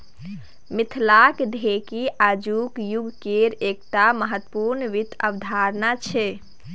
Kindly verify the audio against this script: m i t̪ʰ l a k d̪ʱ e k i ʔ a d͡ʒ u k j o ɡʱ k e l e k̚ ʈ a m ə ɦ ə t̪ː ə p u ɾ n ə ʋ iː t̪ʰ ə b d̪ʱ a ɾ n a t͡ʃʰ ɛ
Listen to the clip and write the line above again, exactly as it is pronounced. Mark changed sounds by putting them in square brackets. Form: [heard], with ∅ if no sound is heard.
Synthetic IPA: m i t̪ʰ l a k d̪ʱ e k i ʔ a d͡ʒ u k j [u] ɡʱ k e [ɾ] e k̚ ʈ a m ə ɦ ə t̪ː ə p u ɾ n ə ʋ [i] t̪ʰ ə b d̪ʱ a ɾ n a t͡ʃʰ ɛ